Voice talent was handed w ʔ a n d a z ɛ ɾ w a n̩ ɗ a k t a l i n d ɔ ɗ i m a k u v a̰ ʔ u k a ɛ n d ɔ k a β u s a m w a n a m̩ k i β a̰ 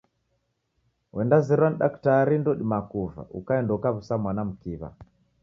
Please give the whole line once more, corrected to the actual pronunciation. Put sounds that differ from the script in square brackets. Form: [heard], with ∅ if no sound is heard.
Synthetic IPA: w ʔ [ɛ] n d a z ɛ ɾ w a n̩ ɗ a k t a [ɾ] i n d ɔ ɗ i m a k u v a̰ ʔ u k a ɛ n d ɔ k a β u s a m w a n a m̩ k i β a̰